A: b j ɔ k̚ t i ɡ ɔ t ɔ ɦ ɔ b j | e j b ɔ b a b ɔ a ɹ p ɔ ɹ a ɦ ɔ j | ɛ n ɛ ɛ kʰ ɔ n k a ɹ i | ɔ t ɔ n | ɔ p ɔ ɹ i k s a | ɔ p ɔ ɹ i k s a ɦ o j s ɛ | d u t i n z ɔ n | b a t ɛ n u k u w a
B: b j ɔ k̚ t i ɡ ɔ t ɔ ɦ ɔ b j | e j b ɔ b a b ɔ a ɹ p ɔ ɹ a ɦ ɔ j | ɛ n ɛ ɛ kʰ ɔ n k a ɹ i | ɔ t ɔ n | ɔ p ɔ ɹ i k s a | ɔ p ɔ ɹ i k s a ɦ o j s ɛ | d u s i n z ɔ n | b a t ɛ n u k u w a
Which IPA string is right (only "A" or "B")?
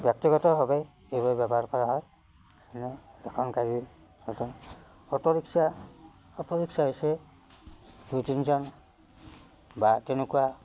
A